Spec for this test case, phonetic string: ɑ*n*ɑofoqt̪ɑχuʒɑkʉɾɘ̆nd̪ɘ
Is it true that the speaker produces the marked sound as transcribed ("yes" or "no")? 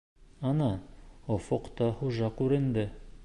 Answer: yes